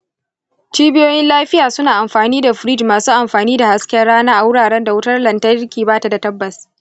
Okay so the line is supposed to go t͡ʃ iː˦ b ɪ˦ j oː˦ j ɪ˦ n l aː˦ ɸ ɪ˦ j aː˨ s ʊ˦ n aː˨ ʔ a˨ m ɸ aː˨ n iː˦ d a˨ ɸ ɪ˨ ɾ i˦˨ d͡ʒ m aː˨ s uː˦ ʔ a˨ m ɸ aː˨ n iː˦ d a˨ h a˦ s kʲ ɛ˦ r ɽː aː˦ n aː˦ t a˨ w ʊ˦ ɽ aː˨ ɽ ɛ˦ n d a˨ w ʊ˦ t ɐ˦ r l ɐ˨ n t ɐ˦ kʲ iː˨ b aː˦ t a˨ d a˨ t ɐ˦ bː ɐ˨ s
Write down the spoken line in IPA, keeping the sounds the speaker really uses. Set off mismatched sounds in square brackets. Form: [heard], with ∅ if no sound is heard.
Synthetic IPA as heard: t͡ʃ iː˦ b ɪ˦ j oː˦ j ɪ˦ n l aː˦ ɸ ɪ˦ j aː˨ s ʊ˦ n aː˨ ʔ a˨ m ɸ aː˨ n iː˦ d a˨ ɸ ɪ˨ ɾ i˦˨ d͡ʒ m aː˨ s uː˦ ʔ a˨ m ɸ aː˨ n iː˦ d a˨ h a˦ s kʲ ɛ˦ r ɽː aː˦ n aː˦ [ʔ] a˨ w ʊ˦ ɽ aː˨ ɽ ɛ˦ n d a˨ w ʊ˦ t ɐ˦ r l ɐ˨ n t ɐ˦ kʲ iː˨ b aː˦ t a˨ d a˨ t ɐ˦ bː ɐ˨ s